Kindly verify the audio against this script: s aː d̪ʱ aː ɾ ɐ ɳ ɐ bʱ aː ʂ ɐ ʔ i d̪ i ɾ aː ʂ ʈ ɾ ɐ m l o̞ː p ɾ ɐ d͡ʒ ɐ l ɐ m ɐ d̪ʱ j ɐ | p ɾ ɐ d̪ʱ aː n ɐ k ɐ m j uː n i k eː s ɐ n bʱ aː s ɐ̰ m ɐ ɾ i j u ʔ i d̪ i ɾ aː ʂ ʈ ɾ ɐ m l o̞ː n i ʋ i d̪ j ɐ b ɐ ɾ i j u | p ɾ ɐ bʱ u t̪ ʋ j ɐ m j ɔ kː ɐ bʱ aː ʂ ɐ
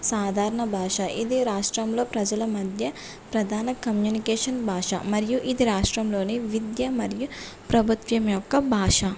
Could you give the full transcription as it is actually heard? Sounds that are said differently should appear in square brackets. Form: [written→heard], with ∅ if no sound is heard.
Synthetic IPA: s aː d̪ʱ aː ɾ ɐ ɳ ɐ bʱ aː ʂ ɐ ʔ i d̪ i ɾ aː ʂ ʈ ɾ ɐ m l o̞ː p ɾ ɐ d͡ʒ ɐ l ɐ m ɐ d̪ʱ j ɐ | p ɾ ɐ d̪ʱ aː n ɐ k ɐ m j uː n i k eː [s→ʂ] ɐ n bʱ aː [s→ʂ] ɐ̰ m ɐ ɾ i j u ʔ i d̪ i ɾ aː ʂ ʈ ɾ ɐ m l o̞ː n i ʋ i d̪ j ɐ [b→m] ɐ ɾ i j u | p ɾ ɐ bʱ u t̪ ʋ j ɐ m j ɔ kː ɐ bʱ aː ʂ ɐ

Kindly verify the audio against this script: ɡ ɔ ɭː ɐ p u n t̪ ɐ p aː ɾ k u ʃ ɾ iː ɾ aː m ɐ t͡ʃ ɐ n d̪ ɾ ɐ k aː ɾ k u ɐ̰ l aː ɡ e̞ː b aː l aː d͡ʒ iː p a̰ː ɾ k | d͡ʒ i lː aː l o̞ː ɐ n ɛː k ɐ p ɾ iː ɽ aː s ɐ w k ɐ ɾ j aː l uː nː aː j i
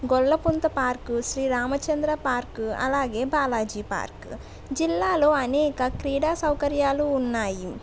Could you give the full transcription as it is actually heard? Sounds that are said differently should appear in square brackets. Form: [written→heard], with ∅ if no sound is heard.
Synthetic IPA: ɡ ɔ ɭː ɐ p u n t̪ ɐ p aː ɾ k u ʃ ɾ iː ɾ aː m ɐ t͡ʃ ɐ n d̪ ɾ ɐ [k→p] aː ɾ k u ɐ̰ l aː ɡ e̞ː b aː l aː d͡ʒ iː p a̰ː ɾ k | d͡ʒ i lː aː l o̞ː ɐ n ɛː k ɐ [p→k] ɾ iː ɽ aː s ɐ w k ɐ ɾ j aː l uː nː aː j i

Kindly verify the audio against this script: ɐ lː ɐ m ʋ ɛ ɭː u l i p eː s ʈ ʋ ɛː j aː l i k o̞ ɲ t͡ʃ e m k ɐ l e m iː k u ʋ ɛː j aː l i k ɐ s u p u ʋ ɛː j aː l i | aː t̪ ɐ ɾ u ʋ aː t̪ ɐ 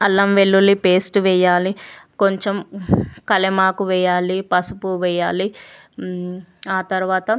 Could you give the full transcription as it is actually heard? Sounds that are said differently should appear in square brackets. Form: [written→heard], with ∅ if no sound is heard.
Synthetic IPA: ɐ lː ɐ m ʋ [ɛ→e] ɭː u l i p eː s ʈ ʋ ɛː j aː l i k o̞ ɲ t͡ʃ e m k ɐ l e m [iː→aː] k u ʋ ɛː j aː l i [k→p] ɐ s u p u ʋ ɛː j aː l i | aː t̪ ɐ ɾ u ʋ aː t̪ ɐ

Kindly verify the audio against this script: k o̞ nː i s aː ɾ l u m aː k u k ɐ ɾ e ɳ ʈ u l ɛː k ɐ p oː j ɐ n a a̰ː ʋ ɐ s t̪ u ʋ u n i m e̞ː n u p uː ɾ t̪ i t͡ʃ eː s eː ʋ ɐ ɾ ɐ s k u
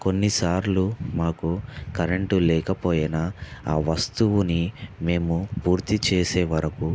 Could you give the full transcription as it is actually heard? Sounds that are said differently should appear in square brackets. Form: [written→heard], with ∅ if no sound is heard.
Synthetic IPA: k o̞ nː i s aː ɾ l u m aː k u k ɐ ɾ e ɳ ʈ u l ɛː k ɐ p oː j ɐ n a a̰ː ʋ ɐ s t̪ u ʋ u n i m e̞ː [n→m] u p uː ɾ t̪ i t͡ʃ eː s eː ʋ ɐ ɾ ɐ [s→∅] k u

